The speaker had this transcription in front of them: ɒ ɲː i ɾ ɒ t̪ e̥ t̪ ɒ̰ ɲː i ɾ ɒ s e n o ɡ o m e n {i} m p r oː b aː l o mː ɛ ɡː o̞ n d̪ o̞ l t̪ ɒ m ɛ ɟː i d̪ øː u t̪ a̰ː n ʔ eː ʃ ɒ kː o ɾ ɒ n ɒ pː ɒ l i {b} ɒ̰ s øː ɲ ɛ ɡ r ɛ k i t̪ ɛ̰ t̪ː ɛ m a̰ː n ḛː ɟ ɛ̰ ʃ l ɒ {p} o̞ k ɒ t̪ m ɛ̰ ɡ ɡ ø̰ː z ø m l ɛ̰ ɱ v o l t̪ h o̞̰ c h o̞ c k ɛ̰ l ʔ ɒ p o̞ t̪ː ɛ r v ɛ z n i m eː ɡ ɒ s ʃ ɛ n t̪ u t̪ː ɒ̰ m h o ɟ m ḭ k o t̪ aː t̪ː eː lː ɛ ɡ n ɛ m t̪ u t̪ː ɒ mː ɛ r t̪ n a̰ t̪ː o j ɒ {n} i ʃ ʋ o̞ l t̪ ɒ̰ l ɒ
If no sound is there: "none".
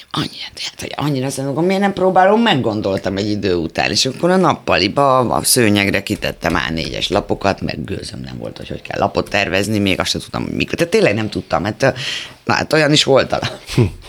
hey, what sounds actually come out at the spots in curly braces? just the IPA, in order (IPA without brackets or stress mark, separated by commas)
ɛ, b, p, n